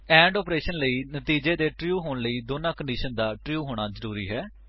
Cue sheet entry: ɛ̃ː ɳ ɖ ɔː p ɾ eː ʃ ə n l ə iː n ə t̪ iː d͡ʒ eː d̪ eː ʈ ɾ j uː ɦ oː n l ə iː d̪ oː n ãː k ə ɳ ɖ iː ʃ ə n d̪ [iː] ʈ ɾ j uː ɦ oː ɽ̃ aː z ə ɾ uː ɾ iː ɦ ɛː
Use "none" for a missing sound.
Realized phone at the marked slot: aː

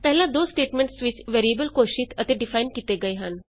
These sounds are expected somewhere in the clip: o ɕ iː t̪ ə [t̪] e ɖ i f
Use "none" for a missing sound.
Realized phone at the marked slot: t̪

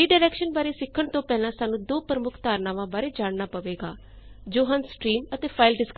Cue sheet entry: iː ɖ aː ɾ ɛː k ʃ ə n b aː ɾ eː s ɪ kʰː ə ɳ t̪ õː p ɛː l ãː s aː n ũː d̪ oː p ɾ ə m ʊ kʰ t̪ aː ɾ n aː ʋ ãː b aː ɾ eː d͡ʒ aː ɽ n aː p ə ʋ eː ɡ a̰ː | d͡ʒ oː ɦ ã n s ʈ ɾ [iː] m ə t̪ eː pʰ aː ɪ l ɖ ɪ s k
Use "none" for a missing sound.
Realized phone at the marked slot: iː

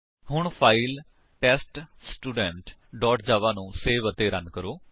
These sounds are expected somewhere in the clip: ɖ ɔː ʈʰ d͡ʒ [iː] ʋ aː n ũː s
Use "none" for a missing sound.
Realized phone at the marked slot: aː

